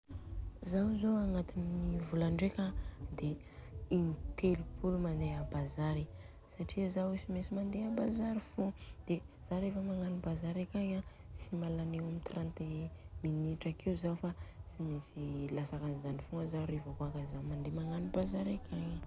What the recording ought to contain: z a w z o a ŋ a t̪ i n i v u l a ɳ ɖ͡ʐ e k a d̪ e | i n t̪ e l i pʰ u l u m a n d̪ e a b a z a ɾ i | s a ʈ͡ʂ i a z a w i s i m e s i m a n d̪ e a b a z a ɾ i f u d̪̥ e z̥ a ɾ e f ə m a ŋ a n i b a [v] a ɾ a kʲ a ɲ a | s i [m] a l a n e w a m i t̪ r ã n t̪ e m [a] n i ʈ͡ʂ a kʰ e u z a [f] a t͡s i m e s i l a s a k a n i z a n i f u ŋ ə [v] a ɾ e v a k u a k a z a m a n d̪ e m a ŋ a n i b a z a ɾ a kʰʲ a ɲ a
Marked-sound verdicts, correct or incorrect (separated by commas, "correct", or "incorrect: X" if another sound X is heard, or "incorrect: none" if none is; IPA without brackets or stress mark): incorrect: z, correct, incorrect: i, correct, incorrect: z